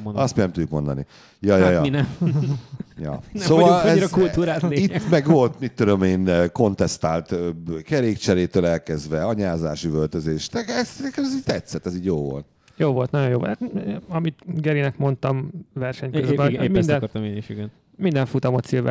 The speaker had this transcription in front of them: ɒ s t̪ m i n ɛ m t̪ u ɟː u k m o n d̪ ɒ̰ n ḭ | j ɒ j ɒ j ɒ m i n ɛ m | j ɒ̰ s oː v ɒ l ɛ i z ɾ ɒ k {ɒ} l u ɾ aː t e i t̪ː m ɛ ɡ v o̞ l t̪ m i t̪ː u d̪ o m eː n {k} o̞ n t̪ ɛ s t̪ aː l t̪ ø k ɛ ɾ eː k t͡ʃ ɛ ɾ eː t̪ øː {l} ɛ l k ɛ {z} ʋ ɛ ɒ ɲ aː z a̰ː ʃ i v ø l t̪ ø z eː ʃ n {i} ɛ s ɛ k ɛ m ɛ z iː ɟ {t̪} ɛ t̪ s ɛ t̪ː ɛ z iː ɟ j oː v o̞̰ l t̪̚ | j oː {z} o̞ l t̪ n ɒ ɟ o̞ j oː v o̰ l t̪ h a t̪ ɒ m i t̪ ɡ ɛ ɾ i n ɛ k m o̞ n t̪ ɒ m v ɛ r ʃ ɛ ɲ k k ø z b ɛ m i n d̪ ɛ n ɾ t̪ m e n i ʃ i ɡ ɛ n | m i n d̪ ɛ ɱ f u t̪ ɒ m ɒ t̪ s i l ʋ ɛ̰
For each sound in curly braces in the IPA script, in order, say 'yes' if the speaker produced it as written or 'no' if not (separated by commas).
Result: no, yes, yes, yes, no, yes, no